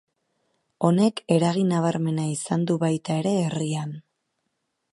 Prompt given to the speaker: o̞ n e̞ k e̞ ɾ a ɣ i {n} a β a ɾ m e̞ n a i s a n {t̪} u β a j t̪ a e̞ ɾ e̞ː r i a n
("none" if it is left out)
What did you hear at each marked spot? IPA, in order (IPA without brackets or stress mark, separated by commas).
n, d̪